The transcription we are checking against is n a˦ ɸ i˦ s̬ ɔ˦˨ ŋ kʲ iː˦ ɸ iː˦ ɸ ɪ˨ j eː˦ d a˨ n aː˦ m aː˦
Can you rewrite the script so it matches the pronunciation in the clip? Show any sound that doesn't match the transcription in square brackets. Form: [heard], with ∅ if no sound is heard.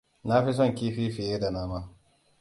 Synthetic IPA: n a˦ ɸ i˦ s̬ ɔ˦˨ ŋ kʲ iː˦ ɸ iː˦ ɸ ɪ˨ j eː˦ d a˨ n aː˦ m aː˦